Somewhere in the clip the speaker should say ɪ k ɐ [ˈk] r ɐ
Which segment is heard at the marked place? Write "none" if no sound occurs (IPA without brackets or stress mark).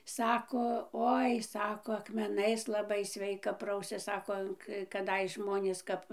p